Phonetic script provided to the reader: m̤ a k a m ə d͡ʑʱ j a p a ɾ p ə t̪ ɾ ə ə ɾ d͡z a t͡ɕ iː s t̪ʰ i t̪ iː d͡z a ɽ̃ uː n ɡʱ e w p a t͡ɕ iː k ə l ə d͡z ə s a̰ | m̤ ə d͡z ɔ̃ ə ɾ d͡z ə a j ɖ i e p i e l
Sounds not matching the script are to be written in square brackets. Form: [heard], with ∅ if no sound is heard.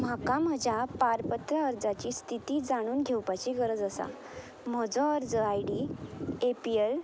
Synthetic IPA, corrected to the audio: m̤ a k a m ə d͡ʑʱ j a p a ɾ p ə t̪ ɾ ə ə ɾ d͡z a t͡ɕ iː s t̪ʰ i t̪ iː d͡z a ɽ̃ uː n ɡʱ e w p a t͡ɕ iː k ə [ɾ] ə d͡z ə s a̰ | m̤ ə d͡z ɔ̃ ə ɾ d͡z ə a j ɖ i e p i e l